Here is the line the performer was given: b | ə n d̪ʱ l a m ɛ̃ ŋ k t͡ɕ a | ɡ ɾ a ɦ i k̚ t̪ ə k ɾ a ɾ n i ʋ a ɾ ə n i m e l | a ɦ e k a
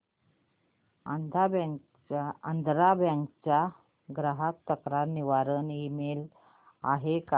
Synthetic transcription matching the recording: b | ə n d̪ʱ ɾ a b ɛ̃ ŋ k t͡ɕ a | ɡ ɾ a ɦ a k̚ t̪ ə k ɾ a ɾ n i ʋ a ɾ ə n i m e l | a ɦ e k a